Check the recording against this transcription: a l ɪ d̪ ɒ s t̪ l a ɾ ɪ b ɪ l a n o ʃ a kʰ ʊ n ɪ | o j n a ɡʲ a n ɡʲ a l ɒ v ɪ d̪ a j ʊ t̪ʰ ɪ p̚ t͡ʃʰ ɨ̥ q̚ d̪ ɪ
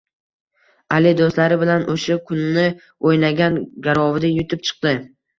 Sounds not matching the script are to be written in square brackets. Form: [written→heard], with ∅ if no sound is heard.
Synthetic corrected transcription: a l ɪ d̪ [ɒ→o] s t̪ l a ɾ ɪ b ɪ l a n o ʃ a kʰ ʊ [n→nː] ɪ | o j n a ɡʲ a n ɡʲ a [l→ɾ] ɒ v ɪ d̪ a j ʊ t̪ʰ ɪ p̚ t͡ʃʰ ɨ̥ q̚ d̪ ɪ